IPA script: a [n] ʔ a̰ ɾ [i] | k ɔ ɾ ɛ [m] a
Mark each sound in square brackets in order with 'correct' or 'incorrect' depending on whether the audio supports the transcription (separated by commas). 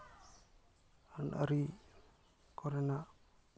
correct, correct, incorrect